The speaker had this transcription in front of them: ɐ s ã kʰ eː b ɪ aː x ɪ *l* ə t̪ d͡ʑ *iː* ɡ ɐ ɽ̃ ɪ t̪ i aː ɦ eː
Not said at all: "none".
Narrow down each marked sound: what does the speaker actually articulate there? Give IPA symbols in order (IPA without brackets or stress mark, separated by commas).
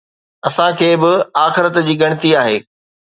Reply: ɾ, iː